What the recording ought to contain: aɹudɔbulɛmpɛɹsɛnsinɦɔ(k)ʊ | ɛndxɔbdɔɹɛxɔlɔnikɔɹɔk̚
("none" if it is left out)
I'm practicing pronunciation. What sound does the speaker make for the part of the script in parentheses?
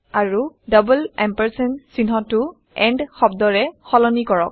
t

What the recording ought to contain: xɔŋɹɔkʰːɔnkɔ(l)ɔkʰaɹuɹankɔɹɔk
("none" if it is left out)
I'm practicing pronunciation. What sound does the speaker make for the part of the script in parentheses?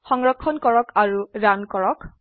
ɹ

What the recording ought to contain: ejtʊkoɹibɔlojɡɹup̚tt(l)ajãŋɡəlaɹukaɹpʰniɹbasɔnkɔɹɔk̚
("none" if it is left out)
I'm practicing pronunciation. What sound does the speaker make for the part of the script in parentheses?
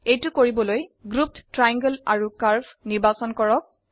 ɹ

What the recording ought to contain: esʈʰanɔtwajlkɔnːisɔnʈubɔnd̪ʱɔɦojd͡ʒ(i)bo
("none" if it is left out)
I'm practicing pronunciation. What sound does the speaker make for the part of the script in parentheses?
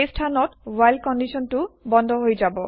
a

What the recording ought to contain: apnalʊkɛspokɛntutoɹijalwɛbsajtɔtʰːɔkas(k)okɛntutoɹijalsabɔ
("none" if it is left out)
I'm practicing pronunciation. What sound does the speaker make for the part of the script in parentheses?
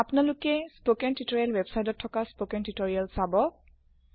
p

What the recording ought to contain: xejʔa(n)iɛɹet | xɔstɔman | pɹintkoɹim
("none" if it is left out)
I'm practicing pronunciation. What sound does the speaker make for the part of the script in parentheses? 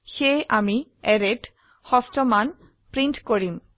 m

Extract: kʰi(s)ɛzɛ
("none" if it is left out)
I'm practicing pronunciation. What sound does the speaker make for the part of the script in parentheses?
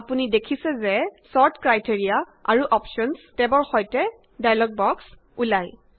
s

